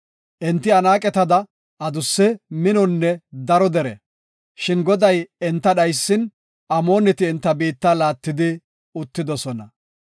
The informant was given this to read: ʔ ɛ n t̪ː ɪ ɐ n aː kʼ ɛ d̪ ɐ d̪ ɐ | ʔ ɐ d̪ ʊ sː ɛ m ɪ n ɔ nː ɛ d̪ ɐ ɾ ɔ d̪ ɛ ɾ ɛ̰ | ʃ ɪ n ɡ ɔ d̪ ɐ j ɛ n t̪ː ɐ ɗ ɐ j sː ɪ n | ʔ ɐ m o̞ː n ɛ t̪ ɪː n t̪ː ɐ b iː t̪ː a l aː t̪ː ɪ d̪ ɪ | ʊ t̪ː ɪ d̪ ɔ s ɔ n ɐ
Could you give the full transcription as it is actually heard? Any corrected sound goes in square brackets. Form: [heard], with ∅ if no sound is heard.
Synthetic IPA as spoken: ʔ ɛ n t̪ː ɪ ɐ n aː kʼ ɛ [t̪] ɐ d̪ ɐ | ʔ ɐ d̪ ʊ sː ɛ m ɪ n ɔ nː ɛ d̪ ɐ ɾ ɔ d̪ ɛ ɾ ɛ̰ | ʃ ɪ n ɡ ɔ d̪ ɐ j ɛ n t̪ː ɐ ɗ ɐ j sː ɪ n | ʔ ɐ m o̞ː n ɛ t̪ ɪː n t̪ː ɐ b iː t̪ː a l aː t̪ː ɪ d̪ ɪ | ʊ t̪ː ɪ d̪ ɔ s ɔ n ɐ